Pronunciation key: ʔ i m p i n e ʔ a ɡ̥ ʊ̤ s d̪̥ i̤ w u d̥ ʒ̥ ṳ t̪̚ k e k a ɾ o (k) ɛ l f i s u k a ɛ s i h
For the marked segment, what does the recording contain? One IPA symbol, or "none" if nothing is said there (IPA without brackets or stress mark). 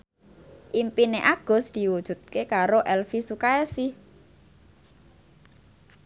ʔ